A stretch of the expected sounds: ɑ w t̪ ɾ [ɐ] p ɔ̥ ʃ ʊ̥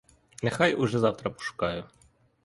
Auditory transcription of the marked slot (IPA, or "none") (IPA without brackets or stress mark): ɐ